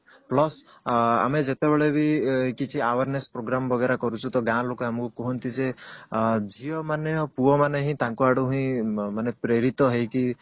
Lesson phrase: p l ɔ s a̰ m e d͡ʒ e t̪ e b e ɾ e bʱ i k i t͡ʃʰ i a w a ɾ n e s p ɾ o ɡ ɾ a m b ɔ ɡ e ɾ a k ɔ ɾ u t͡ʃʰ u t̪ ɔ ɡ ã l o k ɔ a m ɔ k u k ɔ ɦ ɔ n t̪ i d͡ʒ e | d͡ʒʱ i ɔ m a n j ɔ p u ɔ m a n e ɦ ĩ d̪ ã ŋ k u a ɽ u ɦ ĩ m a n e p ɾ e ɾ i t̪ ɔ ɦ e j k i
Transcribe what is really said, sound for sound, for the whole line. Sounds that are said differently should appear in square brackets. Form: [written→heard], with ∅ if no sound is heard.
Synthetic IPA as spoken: p l ɔ s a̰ m e d͡ʒ e t̪ e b e [ɾ→ɭ] e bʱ i k i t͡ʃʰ i a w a ɾ n e s p ɾ o ɡ ɾ a m b ɔ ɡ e ɾ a k ɔ ɾ u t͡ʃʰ u t̪ ɔ ɡ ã l o k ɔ a m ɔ k u k ɔ ɦ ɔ n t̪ i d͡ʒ e | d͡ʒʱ i ɔ m a n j ɔ p u ɔ m a n e ɦ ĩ [d̪→t̪] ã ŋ k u a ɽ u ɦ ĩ m a n e p ɾ e ɾ i t̪ ɔ ɦ e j k i